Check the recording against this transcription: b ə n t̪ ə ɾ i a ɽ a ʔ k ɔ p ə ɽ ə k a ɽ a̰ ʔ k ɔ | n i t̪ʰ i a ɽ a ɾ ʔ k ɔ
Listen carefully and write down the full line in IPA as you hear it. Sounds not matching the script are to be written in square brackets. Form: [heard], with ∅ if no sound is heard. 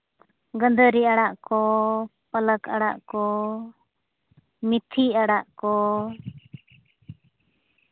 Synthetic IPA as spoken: [ɡ] ə n [d̪] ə ɾ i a ɽ a ʔ k ɔ p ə [l] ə k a ɽ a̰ ʔ k ɔ | [m] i t̪ʰ i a ɽ a [∅] ʔ k ɔ